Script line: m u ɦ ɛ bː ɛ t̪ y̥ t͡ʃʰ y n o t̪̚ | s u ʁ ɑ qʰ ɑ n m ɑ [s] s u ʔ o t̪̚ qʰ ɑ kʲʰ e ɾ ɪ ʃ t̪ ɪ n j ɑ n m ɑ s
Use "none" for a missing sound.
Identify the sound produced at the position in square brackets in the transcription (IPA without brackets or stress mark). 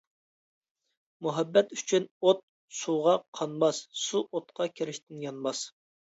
s